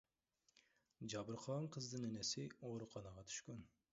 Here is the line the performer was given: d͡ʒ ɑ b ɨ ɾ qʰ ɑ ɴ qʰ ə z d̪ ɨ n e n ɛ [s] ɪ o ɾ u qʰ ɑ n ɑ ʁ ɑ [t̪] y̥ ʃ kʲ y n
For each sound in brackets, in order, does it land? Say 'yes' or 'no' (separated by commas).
yes, no